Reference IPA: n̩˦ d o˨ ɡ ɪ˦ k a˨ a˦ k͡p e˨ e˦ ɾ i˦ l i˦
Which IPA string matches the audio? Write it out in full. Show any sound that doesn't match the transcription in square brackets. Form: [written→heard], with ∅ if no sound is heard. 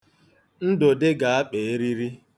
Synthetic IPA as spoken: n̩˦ d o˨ [ɡ→d] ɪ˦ [k→ɡ] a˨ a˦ k͡p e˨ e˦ ɾ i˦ [l→ɾ] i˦